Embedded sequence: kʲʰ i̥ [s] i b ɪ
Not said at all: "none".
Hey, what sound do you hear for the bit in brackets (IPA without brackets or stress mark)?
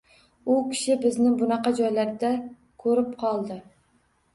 ʃ